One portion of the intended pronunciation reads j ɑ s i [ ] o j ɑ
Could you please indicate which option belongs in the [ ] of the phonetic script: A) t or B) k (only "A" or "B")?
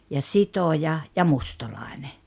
A